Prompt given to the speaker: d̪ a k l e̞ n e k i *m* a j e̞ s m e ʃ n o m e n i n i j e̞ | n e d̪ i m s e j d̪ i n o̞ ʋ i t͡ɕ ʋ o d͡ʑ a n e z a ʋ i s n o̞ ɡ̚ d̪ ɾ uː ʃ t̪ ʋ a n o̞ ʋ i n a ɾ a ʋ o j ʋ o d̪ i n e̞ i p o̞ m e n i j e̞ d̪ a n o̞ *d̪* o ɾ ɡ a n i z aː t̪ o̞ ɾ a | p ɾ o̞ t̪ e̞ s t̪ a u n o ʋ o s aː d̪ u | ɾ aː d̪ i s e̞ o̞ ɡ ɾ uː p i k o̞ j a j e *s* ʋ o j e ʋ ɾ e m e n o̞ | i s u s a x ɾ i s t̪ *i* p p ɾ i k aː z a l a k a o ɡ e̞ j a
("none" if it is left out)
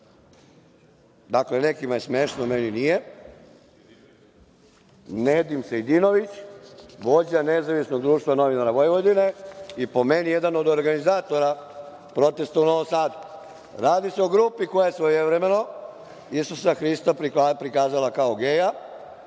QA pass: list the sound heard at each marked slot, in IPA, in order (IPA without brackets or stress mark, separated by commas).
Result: m, d̪, s, a